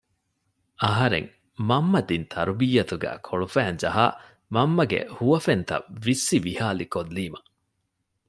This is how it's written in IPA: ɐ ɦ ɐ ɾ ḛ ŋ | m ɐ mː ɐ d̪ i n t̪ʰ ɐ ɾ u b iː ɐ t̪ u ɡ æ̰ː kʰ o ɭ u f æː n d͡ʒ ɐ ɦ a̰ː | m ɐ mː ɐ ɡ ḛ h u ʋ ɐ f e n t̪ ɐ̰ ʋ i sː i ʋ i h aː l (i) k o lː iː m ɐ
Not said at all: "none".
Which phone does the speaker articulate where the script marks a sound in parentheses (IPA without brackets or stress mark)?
i